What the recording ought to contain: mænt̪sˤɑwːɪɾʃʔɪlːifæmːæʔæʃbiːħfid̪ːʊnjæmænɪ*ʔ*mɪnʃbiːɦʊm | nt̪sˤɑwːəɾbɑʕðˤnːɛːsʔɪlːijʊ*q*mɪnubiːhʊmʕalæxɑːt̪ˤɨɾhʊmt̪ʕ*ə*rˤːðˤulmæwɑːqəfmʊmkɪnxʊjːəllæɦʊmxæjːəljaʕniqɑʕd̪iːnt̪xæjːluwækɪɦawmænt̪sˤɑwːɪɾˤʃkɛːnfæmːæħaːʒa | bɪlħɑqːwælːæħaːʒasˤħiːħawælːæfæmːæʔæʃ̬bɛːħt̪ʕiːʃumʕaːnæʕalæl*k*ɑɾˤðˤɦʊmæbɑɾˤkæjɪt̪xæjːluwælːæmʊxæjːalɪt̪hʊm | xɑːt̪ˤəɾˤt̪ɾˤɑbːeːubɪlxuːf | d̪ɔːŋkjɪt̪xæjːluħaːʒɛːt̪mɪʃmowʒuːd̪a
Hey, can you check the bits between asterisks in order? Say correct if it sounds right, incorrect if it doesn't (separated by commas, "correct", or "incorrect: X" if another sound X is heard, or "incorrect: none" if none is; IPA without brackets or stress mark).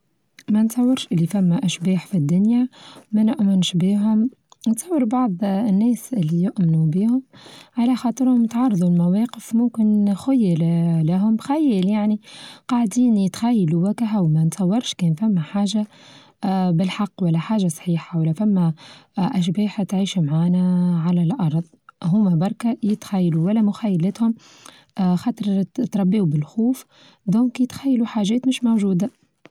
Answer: correct, incorrect: ʔ, incorrect: ɑ, incorrect: ʔ